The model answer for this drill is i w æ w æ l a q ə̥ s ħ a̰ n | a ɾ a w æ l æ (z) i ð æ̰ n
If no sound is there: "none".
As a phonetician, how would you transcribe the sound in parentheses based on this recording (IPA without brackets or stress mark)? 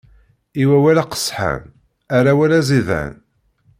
z